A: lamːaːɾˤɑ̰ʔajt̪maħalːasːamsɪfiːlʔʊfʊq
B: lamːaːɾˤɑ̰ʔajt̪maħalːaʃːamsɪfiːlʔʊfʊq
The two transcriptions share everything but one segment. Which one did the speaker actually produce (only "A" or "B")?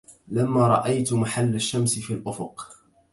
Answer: B